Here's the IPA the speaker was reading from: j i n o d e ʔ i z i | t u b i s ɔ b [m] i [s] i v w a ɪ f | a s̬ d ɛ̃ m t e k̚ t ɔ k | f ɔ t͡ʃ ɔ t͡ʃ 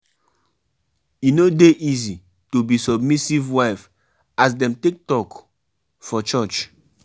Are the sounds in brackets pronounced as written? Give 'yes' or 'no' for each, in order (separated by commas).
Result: yes, yes